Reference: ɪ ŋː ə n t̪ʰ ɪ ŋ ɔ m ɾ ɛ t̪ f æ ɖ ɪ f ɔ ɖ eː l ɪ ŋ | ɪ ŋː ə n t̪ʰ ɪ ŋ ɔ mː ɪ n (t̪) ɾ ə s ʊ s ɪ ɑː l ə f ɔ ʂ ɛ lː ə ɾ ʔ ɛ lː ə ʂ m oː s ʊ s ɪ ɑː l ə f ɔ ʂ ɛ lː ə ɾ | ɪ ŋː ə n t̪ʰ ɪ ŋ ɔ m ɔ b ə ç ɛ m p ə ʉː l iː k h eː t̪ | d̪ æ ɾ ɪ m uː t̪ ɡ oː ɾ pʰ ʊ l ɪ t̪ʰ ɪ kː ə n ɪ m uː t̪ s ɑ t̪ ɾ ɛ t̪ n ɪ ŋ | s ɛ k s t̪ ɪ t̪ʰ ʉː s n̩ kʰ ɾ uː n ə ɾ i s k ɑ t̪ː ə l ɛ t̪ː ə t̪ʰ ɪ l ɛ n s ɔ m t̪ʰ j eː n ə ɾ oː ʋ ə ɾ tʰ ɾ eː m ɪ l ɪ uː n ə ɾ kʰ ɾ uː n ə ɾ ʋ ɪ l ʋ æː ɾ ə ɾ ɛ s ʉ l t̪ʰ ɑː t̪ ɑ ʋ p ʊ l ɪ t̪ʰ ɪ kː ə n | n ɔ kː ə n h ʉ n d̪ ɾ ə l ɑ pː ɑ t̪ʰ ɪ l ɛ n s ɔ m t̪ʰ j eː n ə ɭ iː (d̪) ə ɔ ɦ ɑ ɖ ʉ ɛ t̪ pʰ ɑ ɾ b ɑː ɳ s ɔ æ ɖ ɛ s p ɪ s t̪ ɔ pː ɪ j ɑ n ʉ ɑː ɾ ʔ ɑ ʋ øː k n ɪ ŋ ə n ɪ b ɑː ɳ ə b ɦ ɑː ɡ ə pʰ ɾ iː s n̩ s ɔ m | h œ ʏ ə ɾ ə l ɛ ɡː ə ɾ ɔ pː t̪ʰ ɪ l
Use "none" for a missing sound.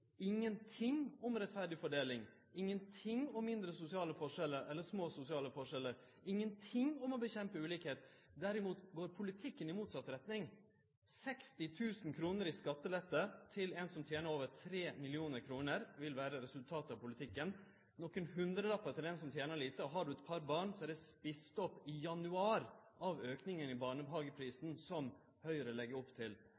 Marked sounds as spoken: d̪, t̪

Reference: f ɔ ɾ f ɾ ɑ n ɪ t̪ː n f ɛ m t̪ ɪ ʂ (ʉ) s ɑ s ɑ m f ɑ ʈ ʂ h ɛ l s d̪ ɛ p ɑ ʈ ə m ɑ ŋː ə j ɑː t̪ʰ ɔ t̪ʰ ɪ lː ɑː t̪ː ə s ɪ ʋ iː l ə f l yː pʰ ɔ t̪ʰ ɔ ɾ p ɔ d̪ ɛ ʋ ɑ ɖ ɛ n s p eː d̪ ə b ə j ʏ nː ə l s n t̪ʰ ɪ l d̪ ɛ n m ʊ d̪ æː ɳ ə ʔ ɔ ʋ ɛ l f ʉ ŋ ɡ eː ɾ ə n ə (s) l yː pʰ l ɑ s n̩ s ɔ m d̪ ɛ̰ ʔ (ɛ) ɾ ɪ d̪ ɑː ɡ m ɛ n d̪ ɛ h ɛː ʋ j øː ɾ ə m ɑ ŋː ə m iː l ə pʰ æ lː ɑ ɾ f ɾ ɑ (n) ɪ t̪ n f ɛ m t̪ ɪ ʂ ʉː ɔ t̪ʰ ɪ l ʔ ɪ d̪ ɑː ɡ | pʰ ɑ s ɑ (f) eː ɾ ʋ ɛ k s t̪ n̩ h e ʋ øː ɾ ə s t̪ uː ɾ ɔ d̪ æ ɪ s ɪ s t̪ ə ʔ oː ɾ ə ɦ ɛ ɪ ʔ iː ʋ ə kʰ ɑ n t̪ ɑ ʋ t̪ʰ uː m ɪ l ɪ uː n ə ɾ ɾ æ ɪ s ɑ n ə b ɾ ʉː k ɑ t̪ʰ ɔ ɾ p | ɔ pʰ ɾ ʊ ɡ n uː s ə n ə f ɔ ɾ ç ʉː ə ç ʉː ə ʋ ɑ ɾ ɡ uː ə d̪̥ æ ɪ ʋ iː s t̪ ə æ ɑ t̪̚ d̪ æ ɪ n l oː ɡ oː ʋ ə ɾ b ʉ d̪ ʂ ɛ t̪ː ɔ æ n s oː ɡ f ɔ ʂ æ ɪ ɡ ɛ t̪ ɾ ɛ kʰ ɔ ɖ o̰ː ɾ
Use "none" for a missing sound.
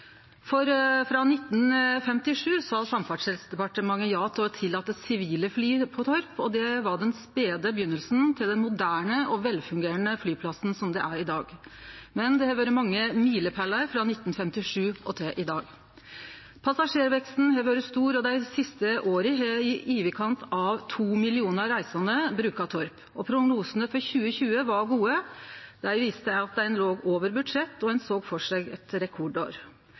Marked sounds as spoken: ʉː, f, æ, n, ʂ

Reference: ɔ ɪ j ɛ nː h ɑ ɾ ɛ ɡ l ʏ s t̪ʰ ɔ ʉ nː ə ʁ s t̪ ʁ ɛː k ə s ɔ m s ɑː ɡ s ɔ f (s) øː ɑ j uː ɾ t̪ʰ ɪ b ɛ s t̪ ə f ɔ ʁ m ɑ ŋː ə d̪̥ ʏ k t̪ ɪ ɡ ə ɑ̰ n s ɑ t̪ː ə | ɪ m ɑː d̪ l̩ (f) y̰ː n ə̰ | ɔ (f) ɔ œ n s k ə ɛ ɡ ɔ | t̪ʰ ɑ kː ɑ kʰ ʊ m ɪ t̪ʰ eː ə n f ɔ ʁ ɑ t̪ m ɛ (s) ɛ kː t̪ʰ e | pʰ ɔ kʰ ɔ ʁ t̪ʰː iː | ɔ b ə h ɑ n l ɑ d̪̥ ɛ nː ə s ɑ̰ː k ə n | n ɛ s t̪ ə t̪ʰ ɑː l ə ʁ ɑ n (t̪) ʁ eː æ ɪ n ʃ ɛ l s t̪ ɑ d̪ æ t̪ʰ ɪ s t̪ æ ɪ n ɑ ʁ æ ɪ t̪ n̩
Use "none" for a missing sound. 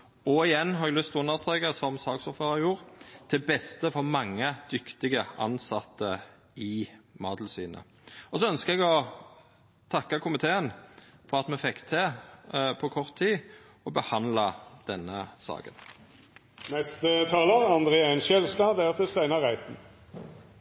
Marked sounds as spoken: f, s, s, f, d̪

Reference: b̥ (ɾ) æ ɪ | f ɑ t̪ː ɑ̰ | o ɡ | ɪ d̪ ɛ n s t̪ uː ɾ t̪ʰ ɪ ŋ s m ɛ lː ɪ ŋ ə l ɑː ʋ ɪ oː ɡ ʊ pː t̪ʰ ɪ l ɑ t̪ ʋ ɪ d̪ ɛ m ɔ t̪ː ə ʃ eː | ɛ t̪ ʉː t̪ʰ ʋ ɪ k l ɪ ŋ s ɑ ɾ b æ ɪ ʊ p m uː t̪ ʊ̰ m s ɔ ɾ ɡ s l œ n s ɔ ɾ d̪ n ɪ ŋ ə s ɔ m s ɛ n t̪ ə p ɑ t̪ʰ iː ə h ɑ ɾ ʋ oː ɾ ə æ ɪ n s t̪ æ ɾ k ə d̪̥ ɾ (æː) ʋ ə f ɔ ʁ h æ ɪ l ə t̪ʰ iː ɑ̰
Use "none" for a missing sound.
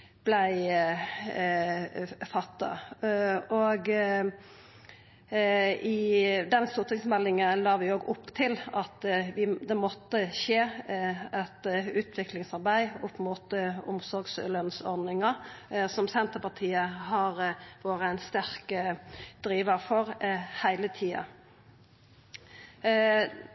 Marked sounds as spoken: l, iː

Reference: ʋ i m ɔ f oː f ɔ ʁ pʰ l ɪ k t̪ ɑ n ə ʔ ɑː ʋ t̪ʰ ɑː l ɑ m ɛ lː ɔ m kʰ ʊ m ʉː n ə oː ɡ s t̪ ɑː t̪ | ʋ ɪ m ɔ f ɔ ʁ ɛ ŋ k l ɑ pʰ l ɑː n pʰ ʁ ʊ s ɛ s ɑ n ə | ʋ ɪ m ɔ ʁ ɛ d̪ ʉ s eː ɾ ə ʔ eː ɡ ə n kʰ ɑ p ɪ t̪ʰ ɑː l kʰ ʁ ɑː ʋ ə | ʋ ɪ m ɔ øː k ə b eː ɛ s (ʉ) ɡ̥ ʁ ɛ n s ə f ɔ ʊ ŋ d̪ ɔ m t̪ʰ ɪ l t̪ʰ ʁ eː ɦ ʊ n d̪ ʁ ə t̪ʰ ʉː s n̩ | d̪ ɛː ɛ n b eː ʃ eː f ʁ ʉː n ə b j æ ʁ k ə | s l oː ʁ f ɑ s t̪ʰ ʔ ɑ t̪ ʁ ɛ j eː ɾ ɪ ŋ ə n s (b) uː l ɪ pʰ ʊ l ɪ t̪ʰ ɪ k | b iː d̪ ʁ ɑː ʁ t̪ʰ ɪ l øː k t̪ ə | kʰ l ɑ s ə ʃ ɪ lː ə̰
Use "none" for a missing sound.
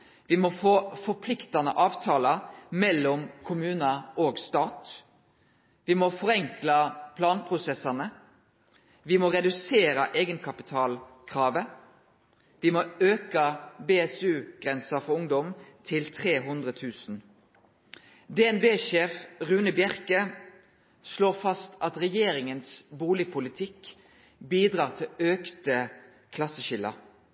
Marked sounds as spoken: ʉː, b

